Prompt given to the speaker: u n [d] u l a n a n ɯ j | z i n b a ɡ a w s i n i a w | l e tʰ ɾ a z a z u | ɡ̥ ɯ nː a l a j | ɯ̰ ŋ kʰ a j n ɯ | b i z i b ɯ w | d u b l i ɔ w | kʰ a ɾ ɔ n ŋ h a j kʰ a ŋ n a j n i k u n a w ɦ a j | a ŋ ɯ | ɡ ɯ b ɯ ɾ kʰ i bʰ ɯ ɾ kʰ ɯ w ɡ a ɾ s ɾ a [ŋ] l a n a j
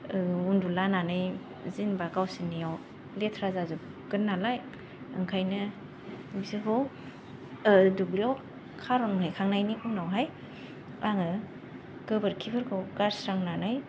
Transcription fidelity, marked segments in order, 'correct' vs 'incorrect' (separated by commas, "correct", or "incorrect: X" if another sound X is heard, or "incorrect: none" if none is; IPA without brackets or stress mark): correct, correct